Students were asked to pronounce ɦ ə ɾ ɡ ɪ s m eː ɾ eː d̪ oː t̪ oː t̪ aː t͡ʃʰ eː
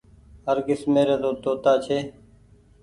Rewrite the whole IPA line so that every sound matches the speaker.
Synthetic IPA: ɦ ə ɾ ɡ ɪ s m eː ɾ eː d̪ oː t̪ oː t̪ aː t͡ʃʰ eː